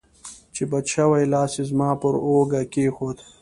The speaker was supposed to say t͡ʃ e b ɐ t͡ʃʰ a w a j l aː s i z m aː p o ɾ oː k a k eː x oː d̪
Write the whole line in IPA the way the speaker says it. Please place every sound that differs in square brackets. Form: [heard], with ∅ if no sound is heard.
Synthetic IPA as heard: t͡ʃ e b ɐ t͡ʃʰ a w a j l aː s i z m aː p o ɾ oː [ɡ] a k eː x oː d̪